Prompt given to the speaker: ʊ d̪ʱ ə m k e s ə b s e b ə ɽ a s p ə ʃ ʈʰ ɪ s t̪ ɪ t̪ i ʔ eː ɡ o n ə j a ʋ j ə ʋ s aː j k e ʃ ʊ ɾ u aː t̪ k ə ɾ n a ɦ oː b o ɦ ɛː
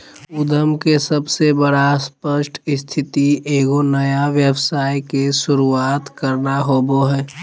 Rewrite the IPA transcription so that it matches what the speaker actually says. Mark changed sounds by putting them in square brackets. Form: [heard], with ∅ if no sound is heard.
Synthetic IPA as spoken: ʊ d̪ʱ ə m k e s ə b s e b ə ɽ a s p ə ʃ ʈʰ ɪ s [t̪ʰ] ɪ t̪ i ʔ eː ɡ o n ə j a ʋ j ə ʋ s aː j k e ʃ ʊ ɾ u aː t̪ k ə ɾ n a ɦ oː b o ɦ ɛː